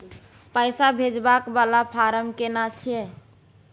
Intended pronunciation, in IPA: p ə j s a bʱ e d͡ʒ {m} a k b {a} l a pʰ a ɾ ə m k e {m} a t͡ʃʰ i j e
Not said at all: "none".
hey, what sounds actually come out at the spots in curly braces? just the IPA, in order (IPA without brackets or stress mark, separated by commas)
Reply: b, a, n